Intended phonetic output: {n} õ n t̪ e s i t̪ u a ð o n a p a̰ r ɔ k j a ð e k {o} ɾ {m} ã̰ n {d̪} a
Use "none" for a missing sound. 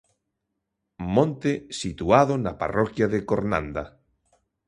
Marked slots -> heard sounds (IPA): m, o, n, d̪

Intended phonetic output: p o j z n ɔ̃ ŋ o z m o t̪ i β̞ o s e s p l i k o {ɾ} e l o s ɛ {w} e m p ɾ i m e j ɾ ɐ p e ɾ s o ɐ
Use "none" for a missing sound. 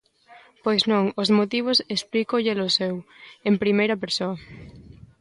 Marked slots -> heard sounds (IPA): ʎ, w

